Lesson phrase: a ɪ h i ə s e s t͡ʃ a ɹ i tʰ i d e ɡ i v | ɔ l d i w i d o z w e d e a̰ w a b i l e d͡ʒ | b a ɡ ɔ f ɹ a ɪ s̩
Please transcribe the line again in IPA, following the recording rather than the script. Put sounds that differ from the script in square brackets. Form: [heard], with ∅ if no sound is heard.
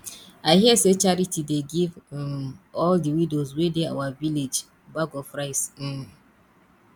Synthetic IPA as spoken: a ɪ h i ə s e [∅] t͡ʃ a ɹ i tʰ i d e ɡ i v | ɔ l d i w i d o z w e d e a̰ w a [v] i l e d͡ʒ | b a ɡ ɔ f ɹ a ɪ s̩